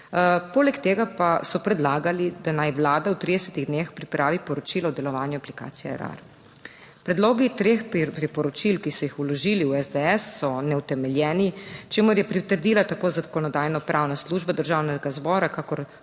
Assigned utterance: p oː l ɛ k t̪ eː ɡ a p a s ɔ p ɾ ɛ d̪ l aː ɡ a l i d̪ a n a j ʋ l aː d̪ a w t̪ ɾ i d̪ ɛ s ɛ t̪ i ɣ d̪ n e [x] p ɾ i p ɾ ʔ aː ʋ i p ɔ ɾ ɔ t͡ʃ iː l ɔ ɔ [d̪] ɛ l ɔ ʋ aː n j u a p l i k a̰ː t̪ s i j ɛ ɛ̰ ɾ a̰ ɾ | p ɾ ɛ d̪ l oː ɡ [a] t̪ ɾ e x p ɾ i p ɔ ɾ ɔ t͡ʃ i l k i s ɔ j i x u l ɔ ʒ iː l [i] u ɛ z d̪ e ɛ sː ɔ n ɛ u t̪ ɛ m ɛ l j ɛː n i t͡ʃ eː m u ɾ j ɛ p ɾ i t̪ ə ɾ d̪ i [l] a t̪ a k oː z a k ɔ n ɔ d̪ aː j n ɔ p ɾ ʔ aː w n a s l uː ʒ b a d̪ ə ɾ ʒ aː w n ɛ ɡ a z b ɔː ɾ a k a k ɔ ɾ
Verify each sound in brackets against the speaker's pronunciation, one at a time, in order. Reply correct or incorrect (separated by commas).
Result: correct, correct, incorrect, correct, correct